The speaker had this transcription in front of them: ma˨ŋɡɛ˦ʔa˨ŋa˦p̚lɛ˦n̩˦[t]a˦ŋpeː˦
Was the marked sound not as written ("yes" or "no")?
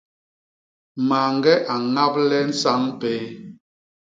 yes